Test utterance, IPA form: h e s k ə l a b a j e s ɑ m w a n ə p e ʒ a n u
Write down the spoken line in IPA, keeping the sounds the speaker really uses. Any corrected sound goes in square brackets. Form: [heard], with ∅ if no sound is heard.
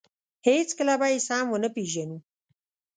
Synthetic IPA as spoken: h e [t͡s] k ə l a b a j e s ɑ m w [ə] n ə p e ʒ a n u